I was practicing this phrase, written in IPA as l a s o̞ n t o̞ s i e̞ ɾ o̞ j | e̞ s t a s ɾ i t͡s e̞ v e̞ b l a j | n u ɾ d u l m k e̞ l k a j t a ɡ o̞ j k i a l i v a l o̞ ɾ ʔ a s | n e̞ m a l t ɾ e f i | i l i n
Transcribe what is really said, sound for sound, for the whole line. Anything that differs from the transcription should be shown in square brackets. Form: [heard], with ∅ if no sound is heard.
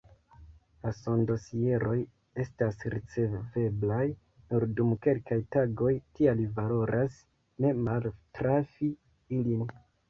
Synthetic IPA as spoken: l a s o̞ n [d] o̞ s i e̞ ɾ o̞ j | e̞ s t a s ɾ i t͡s e̞ v e̞ b l a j | n u ɾ d u [∅] m k e̞ l k a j t a ɡ o̞ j [t] i a l i v a l o̞ ɾ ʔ a s | n e̞ m a l t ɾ [a] f i | i l i n